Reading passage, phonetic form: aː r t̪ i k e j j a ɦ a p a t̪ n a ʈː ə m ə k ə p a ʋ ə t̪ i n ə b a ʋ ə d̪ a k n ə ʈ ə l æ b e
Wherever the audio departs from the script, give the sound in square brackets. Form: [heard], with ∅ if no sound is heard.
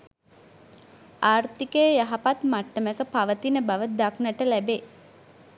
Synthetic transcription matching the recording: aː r t̪ i k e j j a ɦ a p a t̪ [m] a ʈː ə m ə k ə p a ʋ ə t̪ i n ə b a ʋ ə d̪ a k n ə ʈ ə l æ b e